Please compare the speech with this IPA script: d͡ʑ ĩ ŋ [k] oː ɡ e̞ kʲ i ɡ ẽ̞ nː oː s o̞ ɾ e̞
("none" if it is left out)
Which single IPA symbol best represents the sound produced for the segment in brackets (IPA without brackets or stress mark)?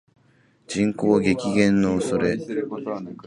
k